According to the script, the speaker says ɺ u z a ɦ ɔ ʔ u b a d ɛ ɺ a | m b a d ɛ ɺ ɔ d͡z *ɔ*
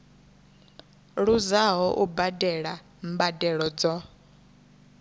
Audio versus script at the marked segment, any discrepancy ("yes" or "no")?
no